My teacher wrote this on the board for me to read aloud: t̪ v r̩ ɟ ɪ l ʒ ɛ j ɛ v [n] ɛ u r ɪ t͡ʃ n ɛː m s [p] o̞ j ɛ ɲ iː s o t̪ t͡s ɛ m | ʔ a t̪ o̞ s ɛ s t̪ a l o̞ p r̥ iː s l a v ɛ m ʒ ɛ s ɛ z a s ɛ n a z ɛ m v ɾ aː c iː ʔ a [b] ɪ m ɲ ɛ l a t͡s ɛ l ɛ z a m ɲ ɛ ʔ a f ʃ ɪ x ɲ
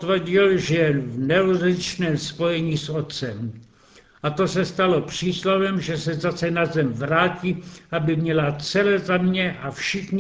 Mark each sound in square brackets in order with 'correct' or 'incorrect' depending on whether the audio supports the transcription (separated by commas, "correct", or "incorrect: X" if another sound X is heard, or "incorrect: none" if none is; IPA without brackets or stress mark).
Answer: correct, correct, correct